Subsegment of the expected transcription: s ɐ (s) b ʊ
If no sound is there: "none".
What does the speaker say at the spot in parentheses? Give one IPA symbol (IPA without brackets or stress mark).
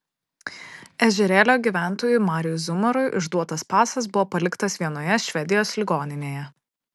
s